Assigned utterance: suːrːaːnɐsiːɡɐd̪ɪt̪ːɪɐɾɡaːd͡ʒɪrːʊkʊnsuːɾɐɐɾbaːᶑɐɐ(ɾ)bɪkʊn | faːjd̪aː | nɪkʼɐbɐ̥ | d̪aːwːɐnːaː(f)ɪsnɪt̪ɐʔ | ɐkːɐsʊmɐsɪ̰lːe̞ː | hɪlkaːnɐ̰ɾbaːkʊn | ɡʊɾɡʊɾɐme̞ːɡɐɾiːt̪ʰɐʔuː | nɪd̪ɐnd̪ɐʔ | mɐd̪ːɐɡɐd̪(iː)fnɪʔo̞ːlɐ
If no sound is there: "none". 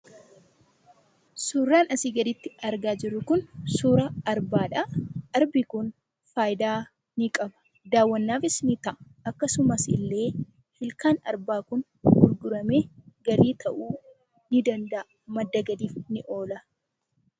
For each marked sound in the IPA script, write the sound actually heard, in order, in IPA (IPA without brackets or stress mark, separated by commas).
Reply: ɾ, f, iː